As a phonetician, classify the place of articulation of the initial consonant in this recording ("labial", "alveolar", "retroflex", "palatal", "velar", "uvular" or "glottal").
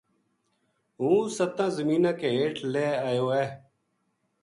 glottal